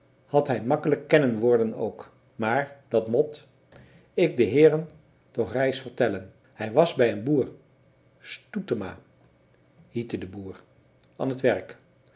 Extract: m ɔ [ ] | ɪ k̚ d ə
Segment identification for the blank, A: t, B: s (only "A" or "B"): A